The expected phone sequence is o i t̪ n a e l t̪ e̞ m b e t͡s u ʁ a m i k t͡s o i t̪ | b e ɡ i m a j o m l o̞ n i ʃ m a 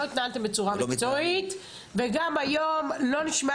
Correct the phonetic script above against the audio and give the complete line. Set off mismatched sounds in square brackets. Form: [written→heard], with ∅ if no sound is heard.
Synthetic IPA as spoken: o i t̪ n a [e→a] l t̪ e̞ m b e t͡s u ʁ a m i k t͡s o i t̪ | [b→v] e ɡ [i→a] m a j o m l o̞ n i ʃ m a